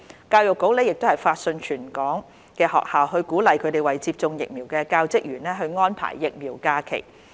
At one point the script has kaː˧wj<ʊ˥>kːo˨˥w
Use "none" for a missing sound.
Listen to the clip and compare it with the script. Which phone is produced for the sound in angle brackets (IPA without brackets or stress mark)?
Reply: ʊ˨